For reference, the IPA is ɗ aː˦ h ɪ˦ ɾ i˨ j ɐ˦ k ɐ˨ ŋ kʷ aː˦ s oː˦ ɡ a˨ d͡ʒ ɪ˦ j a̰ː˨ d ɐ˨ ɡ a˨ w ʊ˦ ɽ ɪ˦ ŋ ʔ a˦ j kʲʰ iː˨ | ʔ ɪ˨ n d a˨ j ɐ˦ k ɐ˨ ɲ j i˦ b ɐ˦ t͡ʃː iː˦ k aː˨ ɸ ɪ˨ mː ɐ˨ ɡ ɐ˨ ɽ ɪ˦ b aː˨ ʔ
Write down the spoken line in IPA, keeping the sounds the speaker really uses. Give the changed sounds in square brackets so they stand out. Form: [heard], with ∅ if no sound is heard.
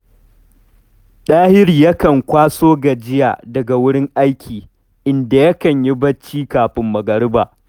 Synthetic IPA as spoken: ɗ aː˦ h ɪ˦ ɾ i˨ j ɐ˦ k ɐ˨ ŋ kʷ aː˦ s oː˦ ɡ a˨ d͡ʒ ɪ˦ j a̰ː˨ d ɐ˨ ɡ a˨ w ʊ˦ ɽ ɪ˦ ŋ ʔ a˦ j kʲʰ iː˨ | ʔ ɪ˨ n d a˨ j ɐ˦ k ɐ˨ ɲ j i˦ b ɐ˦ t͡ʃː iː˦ k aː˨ ɸ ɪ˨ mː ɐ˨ ɡ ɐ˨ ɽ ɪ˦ b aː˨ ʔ

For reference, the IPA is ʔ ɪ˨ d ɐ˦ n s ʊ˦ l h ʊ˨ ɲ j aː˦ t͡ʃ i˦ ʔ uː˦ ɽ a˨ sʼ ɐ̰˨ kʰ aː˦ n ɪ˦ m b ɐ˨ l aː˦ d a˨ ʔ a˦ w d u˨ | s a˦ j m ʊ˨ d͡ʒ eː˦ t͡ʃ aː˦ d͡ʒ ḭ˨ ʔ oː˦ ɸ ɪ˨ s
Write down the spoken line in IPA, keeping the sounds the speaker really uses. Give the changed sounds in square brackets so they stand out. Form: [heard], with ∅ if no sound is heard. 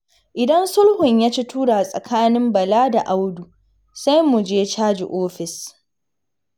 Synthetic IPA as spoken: ʔ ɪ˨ d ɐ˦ n s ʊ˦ l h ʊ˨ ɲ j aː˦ t͡ʃ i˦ [t] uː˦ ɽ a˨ sʼ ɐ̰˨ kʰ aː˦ n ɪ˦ m b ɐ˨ l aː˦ d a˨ ʔ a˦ w d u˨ | s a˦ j m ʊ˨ d͡ʒ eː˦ t͡ʃ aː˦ d͡ʒ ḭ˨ ʔ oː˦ ɸ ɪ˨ s

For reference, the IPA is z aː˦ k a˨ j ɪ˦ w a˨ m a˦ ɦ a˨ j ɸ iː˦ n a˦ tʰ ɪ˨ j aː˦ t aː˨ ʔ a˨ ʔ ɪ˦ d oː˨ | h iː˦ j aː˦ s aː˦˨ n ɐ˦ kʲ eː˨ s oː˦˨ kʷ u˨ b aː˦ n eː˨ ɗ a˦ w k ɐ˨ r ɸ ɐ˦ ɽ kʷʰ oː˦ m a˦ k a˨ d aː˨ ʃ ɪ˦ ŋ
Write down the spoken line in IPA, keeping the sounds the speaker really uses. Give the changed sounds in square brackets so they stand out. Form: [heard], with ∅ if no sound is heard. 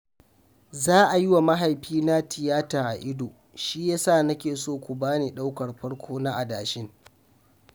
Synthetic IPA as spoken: z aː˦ [ʔ] a˨ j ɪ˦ w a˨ m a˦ ɦ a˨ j ɸ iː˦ n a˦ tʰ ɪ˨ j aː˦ t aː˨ ʔ a˨ ʔ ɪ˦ d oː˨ | [ʃ] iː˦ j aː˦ s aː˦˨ n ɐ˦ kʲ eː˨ s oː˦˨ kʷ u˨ b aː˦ n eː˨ ɗ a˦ w k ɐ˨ r ɸ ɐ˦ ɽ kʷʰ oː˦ [n] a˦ [ʔ] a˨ d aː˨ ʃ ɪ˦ ŋ

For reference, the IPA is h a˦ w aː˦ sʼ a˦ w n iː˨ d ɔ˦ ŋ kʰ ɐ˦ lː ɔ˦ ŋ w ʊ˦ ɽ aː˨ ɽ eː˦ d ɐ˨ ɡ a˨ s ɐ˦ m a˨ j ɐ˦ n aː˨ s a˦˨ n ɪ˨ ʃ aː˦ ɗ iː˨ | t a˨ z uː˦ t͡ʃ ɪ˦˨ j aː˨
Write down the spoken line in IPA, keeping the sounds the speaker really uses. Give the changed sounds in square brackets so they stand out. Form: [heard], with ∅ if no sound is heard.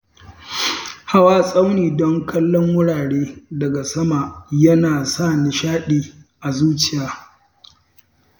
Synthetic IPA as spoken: h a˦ w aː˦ sʼ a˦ w n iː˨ d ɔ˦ ŋ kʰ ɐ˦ lː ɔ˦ ŋ w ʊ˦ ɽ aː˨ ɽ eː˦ d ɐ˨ ɡ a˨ s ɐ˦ m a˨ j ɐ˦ n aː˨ s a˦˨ n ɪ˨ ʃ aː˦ ɗ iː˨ | [ʔ] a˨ z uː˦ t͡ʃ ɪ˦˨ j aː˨

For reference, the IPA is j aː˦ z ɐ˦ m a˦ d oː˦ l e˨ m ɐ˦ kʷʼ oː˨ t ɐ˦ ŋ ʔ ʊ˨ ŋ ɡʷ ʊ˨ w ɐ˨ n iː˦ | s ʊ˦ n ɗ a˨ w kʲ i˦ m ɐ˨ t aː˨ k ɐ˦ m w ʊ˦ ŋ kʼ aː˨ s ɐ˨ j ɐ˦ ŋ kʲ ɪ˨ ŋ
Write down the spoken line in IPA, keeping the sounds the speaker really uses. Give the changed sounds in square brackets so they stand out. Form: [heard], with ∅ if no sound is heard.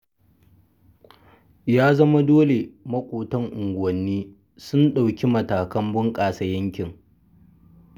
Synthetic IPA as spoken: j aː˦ z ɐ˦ m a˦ d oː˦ l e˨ m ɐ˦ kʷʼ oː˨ t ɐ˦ ŋ ʔ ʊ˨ ŋ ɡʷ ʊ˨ w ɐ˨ [nː] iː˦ | s ʊ˦ n ɗ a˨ w kʲ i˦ m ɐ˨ t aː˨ k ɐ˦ m [b] ʊ˦ ŋ kʼ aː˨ s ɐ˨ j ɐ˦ ŋ kʲ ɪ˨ ŋ

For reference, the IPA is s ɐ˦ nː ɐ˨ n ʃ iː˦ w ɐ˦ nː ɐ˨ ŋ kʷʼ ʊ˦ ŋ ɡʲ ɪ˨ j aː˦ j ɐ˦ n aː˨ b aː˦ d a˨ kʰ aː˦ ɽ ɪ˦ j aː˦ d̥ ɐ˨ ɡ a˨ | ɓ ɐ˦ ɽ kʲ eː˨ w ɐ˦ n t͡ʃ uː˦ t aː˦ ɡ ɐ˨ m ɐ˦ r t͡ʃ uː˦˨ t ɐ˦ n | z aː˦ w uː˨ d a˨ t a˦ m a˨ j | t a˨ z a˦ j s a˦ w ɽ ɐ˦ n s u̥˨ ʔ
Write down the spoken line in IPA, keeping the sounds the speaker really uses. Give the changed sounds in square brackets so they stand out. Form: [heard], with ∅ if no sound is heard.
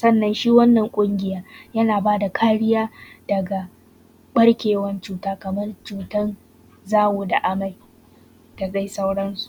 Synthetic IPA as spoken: s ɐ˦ nː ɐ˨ n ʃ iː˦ w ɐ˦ nː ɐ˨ ŋ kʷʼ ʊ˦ ŋ ɡʲ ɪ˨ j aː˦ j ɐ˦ n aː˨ b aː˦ d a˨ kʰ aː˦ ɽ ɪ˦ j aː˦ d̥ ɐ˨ ɡ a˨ | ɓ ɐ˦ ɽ kʲ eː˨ w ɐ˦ n t͡ʃ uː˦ t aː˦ [k] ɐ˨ m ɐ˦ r t͡ʃ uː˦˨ t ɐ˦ n | z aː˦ w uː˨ d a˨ [ʔ] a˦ m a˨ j | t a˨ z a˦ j s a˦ w ɽ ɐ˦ n s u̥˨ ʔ

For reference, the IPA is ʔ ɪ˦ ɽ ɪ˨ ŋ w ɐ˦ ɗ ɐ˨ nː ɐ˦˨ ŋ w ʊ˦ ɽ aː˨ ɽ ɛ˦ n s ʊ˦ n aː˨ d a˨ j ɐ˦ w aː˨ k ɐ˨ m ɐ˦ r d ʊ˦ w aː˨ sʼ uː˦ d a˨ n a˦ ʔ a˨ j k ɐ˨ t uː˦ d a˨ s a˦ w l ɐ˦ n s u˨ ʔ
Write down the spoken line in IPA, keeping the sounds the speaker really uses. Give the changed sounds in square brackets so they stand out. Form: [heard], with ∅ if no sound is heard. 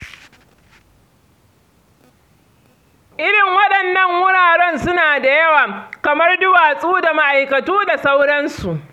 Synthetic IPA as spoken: ʔ ɪ˦ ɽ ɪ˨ ŋ w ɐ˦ ɗ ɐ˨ nː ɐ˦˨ ŋ w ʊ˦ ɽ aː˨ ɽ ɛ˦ n s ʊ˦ n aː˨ d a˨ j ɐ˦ w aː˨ k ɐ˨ m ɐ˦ r d ʊ˦ w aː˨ sʼ uː˦ d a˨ [m] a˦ ʔ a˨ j k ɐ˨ t uː˦ d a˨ s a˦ w [ɽ] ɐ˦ n s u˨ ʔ

